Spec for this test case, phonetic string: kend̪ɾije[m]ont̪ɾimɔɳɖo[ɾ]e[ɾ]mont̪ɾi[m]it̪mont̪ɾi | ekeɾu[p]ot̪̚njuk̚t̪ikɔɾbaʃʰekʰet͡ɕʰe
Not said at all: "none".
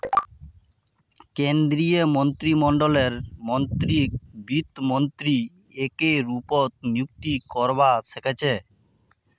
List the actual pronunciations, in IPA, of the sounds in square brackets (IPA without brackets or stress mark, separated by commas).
m, l, ɾ, b, p